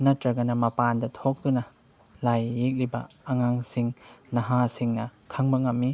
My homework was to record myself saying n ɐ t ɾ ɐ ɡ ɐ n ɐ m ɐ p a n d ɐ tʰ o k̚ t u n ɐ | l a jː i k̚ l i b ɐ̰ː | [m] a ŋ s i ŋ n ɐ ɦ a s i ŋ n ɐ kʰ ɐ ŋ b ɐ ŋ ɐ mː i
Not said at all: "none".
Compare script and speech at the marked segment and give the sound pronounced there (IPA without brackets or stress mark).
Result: ŋ